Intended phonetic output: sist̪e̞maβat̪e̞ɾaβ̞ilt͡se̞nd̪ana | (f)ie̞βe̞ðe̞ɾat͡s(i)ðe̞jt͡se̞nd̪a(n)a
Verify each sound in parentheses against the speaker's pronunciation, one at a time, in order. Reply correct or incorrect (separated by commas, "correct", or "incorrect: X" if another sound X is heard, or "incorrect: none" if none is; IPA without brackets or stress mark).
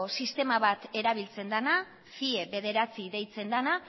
correct, correct, correct